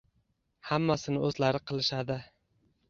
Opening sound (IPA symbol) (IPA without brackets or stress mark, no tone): h